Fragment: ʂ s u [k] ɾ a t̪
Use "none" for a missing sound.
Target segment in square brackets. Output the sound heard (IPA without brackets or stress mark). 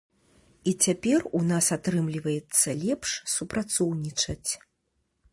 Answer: p